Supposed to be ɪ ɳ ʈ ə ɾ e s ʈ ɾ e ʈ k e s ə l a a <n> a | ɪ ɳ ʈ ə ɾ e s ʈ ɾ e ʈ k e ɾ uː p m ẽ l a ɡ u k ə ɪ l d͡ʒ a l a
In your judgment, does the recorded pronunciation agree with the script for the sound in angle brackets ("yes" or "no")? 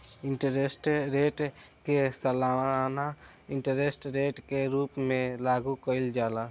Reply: yes